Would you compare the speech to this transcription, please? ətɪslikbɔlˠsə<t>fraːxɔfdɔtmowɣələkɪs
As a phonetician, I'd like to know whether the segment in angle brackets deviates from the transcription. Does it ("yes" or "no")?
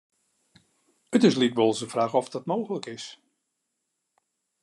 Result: yes